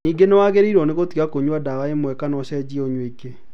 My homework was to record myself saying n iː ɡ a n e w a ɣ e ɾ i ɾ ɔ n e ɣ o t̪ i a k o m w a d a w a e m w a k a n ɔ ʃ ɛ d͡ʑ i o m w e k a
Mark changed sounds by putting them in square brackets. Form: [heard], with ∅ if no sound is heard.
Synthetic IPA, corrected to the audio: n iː ɡ [e] n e w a ɣ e ɾ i ɾ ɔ n e ɣ o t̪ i a k o [ɲ] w a d a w a e m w [ɛ] k a n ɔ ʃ ɛ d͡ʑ i o [ɲ] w e k [e]